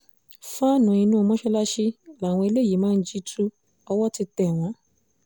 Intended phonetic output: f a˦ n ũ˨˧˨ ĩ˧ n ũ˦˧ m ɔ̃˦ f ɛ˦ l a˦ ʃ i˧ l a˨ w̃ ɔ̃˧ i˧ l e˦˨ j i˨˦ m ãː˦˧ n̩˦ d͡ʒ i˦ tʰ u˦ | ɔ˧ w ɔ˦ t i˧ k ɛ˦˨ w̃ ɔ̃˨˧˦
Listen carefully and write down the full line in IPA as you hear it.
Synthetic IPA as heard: f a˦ n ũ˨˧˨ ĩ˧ n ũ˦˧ m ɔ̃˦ ʃ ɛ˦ l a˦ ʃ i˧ l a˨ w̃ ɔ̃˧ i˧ l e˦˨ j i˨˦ m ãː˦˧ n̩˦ d͡ʒ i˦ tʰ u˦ | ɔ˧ w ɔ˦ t i˧ t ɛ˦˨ w̃ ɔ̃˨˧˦